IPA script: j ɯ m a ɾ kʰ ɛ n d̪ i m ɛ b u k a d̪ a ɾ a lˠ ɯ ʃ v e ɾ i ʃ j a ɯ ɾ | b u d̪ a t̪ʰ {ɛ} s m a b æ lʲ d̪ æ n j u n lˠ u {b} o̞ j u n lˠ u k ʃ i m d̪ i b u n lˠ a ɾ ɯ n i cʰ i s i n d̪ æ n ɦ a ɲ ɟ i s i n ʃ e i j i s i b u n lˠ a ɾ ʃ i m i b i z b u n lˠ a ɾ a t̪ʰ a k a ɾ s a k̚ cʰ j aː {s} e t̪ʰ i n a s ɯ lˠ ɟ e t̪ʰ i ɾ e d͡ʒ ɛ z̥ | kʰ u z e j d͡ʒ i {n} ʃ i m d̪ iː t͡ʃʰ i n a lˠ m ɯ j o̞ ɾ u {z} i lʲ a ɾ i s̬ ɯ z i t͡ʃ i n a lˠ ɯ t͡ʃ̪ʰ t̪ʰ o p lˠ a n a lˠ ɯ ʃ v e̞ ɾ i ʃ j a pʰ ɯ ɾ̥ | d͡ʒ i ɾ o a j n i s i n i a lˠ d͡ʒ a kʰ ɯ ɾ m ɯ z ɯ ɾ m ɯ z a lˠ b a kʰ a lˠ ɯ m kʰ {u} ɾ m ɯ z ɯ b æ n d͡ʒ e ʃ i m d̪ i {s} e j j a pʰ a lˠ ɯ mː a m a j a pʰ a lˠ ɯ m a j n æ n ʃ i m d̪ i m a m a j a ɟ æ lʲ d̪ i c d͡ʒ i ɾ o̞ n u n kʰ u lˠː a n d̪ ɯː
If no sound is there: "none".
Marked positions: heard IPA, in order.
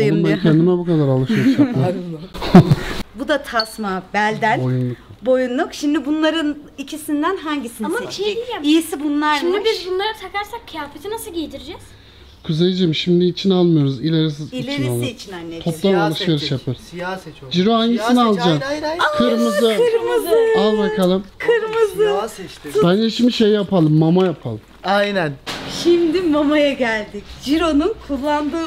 a, b, f, m, z, ɯ, ʃ

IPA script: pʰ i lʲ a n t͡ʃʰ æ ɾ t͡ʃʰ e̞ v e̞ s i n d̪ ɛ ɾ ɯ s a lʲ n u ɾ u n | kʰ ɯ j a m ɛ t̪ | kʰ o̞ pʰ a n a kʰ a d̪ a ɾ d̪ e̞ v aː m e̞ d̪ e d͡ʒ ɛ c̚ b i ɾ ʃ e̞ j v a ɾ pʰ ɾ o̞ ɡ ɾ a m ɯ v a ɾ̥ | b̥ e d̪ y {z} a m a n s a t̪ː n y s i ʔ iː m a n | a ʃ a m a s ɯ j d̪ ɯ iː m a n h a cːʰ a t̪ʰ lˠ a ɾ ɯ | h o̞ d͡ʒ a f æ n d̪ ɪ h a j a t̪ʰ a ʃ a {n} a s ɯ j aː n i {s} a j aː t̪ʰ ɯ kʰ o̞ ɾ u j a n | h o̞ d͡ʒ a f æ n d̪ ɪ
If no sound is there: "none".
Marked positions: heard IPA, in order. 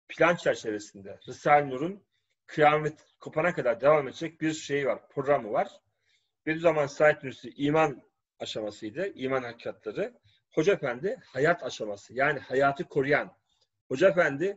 z, m, h

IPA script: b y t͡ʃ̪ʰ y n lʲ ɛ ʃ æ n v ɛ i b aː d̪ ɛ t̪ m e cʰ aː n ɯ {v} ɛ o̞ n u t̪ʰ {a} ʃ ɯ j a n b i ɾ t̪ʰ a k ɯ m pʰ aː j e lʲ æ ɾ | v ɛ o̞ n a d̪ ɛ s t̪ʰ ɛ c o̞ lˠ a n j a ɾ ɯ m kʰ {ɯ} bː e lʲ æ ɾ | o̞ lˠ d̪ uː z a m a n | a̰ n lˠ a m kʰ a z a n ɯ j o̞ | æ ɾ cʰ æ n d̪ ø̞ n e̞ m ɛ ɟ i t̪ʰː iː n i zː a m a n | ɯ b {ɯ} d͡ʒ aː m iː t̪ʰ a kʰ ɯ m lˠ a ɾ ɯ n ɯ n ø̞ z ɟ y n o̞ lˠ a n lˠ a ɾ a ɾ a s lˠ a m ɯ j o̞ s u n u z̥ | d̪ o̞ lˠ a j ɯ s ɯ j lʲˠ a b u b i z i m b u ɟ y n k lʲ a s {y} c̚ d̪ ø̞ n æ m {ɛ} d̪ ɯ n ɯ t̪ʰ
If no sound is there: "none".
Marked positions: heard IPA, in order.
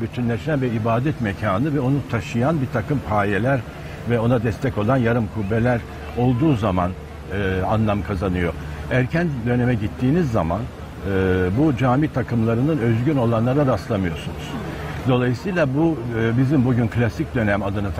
v, a, u, u, i, a

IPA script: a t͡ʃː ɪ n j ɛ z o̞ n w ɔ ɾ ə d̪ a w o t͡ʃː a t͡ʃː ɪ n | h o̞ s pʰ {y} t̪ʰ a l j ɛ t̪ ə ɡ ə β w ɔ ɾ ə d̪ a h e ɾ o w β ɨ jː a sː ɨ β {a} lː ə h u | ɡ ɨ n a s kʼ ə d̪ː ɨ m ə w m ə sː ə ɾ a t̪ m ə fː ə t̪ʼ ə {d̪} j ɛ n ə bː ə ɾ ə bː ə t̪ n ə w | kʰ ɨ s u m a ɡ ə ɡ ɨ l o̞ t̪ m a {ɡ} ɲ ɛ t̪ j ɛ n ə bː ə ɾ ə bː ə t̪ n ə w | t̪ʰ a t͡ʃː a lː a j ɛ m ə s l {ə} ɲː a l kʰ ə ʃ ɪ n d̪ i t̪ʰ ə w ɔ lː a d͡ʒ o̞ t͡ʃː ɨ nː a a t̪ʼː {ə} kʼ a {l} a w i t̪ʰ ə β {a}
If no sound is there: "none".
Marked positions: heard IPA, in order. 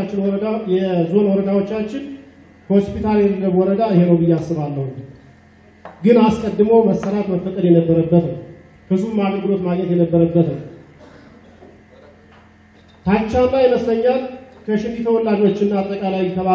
i, a, d̪, ɡ, ə, ə, l, a

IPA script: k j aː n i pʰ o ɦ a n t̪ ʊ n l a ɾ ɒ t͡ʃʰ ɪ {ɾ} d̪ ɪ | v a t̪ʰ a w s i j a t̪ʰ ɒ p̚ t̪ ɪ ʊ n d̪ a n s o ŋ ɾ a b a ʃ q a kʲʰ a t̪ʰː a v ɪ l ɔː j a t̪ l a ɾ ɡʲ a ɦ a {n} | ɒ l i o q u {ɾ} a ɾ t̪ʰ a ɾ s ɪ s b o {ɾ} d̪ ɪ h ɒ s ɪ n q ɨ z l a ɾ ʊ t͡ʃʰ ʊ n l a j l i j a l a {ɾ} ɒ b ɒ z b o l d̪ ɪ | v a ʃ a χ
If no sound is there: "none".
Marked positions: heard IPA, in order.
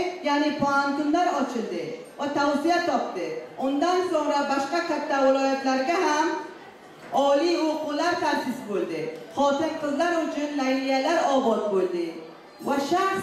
l, m, l, l, ɾ

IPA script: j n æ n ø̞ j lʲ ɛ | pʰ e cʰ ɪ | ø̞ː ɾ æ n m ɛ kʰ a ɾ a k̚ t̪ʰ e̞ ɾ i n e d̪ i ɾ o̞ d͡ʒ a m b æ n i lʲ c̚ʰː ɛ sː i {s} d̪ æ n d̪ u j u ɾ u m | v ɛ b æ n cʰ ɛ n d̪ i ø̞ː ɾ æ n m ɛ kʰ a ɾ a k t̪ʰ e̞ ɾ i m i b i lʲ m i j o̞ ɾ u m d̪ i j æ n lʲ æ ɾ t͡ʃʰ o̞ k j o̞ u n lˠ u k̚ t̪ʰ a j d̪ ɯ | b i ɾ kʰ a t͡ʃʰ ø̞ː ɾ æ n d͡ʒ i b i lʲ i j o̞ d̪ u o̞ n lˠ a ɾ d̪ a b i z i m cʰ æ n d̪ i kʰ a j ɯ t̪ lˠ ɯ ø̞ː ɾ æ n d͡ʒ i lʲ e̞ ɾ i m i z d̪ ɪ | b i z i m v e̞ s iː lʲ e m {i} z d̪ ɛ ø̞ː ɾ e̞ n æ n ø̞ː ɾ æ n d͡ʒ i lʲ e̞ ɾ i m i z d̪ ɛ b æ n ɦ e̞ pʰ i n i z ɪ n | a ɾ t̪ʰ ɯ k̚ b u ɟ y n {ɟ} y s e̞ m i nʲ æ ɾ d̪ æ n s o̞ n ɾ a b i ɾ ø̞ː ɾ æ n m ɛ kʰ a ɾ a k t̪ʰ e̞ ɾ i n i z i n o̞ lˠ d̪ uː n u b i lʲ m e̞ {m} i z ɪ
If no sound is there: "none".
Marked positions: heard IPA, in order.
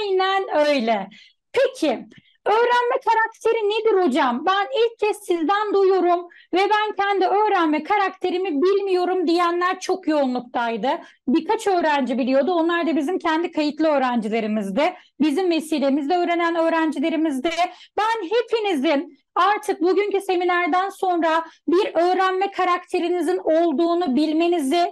z, i, c, n

